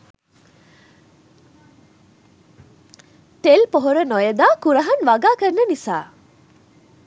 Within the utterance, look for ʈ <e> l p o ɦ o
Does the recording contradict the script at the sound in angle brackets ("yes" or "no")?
no